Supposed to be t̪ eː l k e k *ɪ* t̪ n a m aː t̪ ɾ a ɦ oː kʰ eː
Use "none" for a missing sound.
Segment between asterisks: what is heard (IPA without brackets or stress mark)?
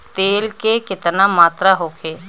ɪ